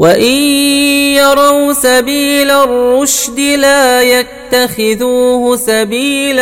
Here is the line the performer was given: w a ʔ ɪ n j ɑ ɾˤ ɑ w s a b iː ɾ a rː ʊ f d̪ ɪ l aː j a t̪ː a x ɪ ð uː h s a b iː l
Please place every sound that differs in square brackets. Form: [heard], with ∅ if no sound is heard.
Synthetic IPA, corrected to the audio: w a ʔ ɪ n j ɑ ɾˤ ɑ w s a b iː [l] a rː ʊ [ʃ] d̪ ɪ l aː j a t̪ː a x ɪ ð uː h s a b iː l